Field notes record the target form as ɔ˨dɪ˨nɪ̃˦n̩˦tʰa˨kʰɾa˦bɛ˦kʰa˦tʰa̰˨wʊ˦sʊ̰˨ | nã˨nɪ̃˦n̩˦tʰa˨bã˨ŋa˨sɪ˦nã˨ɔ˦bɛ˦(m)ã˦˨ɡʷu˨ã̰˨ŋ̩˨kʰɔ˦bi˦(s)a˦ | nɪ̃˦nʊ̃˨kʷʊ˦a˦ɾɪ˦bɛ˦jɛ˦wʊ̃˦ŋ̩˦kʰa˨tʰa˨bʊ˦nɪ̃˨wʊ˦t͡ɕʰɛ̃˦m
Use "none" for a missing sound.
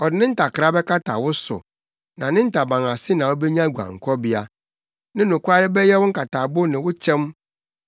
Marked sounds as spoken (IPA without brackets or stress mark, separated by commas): ɲ, none